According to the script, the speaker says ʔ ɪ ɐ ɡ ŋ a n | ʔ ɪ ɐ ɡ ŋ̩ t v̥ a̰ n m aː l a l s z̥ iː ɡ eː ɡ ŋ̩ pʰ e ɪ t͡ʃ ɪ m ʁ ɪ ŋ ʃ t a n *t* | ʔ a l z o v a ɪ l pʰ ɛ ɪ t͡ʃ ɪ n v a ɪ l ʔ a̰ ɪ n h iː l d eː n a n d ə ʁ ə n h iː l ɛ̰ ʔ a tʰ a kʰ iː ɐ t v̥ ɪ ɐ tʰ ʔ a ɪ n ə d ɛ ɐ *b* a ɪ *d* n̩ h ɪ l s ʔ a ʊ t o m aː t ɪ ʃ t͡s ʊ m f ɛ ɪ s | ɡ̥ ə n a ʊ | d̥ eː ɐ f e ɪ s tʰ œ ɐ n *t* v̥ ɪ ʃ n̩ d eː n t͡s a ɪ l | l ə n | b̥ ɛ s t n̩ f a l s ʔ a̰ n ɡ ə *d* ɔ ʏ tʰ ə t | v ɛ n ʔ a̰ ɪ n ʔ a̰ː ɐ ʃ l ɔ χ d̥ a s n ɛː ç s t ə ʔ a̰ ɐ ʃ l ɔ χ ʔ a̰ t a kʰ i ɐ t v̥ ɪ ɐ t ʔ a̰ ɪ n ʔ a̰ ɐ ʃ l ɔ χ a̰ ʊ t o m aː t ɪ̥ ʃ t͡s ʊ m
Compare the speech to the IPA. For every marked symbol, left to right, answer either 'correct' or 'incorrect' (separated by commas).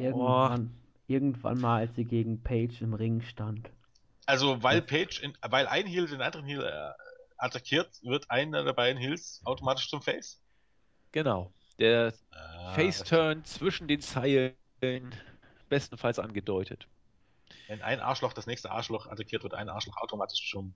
correct, correct, correct, incorrect, correct